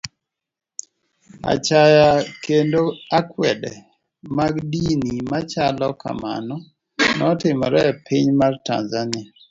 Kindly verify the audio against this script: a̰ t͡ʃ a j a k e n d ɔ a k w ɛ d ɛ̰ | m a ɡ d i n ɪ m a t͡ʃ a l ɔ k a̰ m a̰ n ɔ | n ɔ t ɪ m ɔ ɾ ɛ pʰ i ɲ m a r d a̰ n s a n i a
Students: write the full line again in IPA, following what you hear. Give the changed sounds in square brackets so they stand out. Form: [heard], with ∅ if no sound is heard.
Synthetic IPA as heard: a̰ t͡ʃ a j a k e n d [o] a k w ɛ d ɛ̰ | m a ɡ d i n [i] m a t͡ʃ a l ɔ k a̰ m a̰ n ɔ | n ɔ t ɪ m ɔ ɾ ɛ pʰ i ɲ m a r [t] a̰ n [z] a n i a